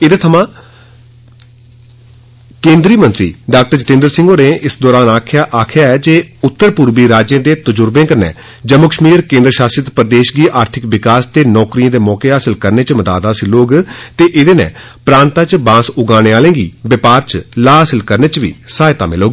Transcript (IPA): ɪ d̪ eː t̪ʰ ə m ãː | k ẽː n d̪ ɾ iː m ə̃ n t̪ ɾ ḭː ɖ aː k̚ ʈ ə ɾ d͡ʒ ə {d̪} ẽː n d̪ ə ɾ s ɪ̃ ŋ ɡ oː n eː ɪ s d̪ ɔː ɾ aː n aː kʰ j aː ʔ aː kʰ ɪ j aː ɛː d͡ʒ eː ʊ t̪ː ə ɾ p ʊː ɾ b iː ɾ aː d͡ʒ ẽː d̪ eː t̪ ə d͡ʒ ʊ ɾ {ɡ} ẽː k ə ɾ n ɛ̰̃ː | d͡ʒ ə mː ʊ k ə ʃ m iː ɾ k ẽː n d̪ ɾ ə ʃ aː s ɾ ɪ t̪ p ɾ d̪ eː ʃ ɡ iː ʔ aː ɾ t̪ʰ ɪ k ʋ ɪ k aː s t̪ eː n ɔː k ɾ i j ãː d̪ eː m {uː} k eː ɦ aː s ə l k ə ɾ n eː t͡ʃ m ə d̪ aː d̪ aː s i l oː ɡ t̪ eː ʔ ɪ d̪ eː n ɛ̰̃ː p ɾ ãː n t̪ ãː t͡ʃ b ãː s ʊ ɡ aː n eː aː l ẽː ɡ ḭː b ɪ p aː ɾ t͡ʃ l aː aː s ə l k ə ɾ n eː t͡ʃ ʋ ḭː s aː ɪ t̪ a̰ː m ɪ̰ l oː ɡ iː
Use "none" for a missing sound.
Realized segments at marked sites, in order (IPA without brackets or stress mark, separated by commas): t̪, b, ɔː